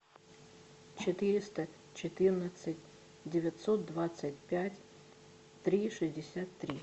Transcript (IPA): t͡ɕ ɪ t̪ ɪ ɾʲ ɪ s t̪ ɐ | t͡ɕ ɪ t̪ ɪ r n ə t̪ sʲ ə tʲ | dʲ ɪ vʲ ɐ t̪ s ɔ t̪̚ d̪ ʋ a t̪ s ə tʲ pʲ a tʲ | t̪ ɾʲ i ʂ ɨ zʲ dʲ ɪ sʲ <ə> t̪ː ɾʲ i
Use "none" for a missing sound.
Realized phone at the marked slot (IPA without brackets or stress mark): a